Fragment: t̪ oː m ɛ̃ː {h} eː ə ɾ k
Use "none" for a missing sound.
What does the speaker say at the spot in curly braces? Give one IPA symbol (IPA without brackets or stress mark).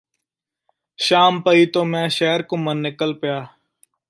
ʃ